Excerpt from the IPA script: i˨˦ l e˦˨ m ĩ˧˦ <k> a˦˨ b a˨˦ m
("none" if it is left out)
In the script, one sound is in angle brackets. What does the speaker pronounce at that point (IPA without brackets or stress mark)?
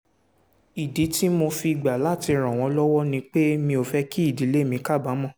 k